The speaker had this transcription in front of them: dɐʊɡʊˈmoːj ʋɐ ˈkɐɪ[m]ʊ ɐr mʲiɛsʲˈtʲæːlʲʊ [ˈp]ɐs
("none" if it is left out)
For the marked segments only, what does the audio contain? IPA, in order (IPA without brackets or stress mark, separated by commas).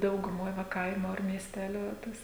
m, t